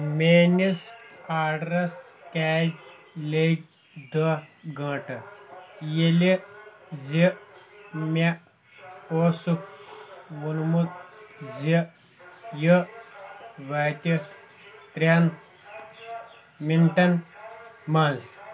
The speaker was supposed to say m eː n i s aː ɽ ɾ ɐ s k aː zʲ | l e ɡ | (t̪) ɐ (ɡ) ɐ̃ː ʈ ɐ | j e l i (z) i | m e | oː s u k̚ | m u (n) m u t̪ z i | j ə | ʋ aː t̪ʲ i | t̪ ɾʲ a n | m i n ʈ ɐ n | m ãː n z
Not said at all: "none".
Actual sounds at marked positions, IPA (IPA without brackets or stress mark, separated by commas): d̪, ɡ, z, n